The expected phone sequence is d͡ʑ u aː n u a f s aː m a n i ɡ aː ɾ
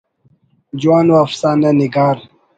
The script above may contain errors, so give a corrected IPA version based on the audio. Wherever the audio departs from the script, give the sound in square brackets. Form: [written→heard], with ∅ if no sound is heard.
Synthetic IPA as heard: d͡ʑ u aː n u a f s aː [m→n] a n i ɡ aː ɾ